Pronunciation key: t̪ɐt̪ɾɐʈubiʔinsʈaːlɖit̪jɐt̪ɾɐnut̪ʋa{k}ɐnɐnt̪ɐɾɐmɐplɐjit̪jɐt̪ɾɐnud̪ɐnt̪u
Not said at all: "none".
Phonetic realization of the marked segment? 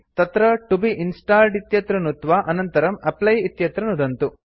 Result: ʔ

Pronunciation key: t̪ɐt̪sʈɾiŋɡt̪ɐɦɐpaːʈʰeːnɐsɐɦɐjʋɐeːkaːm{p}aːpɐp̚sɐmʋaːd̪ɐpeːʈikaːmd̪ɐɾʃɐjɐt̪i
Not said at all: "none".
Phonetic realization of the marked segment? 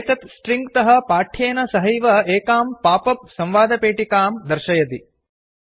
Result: p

